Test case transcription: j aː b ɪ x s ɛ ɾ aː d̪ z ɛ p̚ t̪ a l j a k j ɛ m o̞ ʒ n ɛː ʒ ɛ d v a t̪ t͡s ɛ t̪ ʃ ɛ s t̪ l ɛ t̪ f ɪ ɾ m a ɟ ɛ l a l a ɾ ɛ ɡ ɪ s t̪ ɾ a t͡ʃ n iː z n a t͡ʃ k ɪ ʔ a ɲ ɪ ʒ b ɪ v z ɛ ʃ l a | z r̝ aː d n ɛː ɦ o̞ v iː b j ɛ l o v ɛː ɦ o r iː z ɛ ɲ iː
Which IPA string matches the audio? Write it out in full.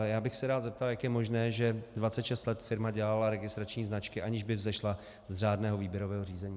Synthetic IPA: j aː b ɪ x s ɛ ɾ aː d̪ z ɛ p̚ t̪ a l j a k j ɛ m o̞ ʒ n ɛː ʒ ɛ d v a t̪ t͡s ɛ t̪ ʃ ɛ s t̪ l ɛ t̪ f ɪ ɾ m a ɟ ɛ l a l a ɾ ɛ ɡ ɪ s t̪ ɾ a t͡ʃ ɲ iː z n a t͡ʃ k ɪ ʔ a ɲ ɪ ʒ b ɪ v z ɛ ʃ l a | z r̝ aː d n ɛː ɦ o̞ v iː b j ɛ ɾ o v ɛː ɦ o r iː z ɛ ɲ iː